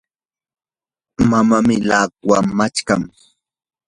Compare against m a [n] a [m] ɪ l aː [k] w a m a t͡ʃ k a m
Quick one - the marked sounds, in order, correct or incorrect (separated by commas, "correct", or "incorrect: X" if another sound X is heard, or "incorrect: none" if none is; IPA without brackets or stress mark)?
incorrect: m, correct, correct